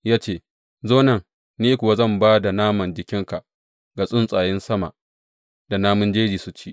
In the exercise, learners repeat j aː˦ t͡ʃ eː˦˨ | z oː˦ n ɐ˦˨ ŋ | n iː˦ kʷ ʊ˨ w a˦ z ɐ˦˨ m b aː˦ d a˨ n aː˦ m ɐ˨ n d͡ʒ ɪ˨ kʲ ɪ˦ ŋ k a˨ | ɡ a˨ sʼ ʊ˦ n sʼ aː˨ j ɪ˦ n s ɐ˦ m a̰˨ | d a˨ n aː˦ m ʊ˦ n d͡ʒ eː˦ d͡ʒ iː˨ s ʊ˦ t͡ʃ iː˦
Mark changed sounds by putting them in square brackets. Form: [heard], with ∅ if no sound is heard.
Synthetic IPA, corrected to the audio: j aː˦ t͡ʃ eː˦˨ | z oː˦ n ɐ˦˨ ŋ | n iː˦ kʷ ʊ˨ w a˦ z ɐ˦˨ m b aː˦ d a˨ n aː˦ m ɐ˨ n d͡ʒ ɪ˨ kʲ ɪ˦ ŋ k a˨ | ɡ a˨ sʼ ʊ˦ n sʼ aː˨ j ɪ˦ n s ɐ˦ m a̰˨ | d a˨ n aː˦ m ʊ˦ n d͡ʒ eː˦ d͡ʒ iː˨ s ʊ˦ t͡ʃ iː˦